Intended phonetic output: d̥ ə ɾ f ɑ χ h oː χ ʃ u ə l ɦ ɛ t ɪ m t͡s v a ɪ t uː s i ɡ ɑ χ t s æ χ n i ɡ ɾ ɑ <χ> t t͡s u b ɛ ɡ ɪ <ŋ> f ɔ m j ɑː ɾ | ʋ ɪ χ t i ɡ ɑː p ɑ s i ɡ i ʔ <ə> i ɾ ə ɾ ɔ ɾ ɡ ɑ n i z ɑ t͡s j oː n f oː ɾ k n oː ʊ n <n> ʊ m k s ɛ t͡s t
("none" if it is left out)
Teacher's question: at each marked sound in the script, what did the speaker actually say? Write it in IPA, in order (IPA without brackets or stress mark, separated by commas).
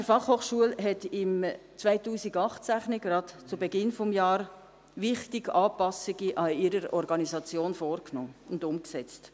none, n, ɑ, d